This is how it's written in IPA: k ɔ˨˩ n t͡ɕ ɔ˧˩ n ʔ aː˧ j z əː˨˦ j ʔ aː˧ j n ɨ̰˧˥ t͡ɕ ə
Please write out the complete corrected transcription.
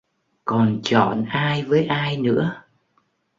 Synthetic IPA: k ɔ˨˩ n t͡ɕ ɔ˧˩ n ʔ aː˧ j v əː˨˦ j ʔ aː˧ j n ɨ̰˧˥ ə